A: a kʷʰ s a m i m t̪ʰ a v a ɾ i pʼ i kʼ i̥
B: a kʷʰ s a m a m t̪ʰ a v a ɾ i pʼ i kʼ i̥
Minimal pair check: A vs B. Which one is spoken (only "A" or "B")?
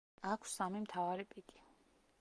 A